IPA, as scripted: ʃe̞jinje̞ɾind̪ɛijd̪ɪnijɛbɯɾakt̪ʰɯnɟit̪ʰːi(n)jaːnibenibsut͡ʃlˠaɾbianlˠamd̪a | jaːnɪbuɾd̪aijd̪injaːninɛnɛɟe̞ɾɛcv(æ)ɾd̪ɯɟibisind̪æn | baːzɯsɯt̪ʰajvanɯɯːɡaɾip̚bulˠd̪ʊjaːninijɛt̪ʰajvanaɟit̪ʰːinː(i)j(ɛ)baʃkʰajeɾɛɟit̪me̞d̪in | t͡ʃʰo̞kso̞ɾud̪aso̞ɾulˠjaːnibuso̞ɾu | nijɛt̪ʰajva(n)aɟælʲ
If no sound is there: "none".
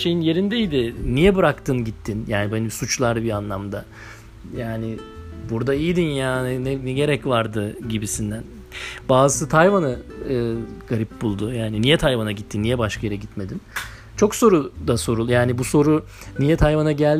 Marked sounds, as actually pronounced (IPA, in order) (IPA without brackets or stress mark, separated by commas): n, a, i, ɛ, n